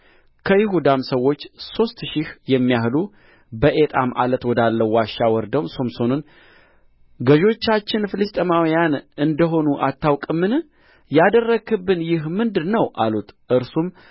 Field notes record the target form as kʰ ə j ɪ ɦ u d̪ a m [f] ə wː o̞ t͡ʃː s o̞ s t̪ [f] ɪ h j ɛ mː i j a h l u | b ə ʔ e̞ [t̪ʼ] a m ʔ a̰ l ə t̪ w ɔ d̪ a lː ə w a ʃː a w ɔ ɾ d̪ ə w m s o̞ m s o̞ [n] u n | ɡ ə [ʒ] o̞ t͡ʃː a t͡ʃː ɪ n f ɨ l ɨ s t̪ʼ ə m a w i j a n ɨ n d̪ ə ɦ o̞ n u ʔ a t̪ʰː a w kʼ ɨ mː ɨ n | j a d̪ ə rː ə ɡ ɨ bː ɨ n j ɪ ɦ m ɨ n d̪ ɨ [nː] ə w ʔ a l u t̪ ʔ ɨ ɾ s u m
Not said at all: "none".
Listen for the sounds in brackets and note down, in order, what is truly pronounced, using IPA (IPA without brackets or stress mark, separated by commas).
s, ʃ, t̪ʼ, n, ʒ, n